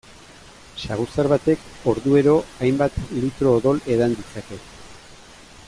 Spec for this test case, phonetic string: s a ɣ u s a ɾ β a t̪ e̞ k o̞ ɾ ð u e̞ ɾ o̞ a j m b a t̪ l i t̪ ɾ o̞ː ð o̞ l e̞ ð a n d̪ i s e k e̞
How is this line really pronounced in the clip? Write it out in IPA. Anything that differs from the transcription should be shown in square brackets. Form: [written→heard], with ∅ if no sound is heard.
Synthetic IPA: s a ɣ u s a ɾ β a t̪ e̞ k o̞ ɾ ð u e̞ ɾ o̞ a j m b a t̪ l i t̪ ɾ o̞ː ð o̞ l e̞ ð a n d̪ i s [e→a] k e̞